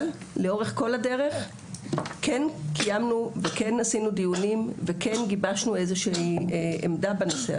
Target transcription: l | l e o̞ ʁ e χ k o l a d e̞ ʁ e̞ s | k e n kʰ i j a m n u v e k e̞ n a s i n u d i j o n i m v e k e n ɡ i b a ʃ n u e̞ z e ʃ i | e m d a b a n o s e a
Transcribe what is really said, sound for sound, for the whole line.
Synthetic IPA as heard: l | l e o̞ ʁ e χ k o l a d e̞ ʁ e̞ χ | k e n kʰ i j a m n u v e k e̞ n a s i n u d i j u n i m v e k e n ɡ i b a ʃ n u e̞ z e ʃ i | e m d a b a n o s e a